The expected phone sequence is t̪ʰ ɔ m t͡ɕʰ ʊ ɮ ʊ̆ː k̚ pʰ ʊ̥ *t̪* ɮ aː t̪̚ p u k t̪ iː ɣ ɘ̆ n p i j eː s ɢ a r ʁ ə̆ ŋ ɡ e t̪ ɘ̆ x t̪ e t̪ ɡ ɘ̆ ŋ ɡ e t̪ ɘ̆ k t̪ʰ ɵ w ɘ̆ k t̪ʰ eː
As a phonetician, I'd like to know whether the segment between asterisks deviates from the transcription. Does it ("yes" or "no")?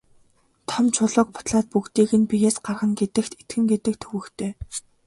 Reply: no